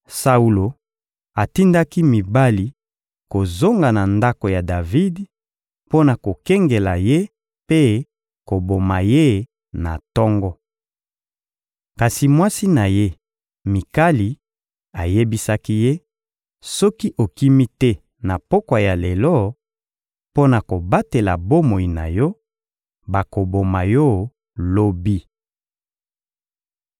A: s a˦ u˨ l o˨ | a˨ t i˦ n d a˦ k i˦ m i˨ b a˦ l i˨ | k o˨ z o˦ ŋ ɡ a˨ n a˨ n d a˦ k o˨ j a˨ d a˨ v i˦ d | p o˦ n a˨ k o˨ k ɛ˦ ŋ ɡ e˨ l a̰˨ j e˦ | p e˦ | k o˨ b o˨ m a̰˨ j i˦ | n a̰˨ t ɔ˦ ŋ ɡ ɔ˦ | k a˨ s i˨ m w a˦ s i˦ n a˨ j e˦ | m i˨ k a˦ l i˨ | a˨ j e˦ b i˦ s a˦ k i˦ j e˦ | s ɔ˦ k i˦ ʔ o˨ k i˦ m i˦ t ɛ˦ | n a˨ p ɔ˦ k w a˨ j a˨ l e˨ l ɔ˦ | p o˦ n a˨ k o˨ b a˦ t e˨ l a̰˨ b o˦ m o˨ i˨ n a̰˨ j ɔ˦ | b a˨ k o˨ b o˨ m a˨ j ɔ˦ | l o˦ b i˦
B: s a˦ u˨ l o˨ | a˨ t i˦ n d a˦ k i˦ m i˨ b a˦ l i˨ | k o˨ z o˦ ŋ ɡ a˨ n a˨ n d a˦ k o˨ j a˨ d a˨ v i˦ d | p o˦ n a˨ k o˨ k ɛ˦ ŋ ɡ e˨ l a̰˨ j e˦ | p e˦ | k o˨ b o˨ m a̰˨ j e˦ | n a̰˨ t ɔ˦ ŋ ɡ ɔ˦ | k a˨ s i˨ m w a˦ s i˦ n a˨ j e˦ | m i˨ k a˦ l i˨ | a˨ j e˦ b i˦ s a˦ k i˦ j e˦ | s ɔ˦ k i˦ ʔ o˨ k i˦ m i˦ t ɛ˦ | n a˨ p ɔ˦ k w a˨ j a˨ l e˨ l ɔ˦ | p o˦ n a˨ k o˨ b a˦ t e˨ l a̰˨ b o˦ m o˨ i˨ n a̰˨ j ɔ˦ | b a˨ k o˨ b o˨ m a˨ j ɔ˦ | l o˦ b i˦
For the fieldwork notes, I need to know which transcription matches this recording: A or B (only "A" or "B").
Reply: B